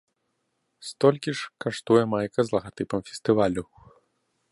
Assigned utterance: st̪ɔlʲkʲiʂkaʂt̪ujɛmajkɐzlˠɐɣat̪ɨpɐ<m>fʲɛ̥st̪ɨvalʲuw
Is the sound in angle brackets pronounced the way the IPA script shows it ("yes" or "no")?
yes